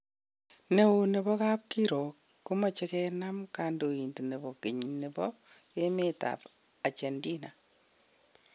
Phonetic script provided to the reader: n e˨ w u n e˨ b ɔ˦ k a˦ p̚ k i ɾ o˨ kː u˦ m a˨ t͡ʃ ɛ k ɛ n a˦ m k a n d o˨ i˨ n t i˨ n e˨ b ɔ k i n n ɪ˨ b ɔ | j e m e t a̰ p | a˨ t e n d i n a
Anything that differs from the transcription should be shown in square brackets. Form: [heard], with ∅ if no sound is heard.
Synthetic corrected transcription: n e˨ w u n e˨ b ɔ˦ k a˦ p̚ k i ɾ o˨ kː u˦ m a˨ t͡ʃ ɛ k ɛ n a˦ m k a n d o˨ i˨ n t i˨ n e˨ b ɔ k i [ɲ] n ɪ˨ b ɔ | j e m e t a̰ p | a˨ [t͡ʃ] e n d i n a